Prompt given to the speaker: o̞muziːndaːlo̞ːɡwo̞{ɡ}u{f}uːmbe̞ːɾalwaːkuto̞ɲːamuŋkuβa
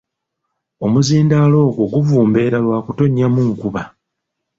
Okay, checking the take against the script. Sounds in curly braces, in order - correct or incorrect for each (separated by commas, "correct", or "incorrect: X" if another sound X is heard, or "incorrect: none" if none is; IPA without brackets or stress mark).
correct, incorrect: v